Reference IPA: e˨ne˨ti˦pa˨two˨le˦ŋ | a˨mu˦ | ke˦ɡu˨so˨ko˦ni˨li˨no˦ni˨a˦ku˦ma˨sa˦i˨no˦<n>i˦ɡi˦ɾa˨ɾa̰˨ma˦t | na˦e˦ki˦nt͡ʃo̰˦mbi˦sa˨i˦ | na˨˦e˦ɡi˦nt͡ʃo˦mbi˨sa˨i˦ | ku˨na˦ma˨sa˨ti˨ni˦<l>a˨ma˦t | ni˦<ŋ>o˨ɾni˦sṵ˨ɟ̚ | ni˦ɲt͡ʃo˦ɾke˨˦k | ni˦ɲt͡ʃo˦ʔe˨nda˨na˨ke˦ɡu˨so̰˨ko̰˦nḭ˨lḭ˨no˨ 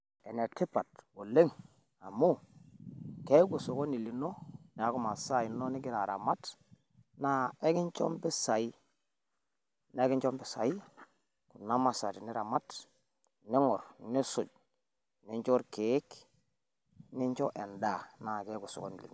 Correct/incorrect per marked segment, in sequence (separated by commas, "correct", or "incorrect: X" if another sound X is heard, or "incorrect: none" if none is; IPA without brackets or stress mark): correct, incorrect: ɾ, correct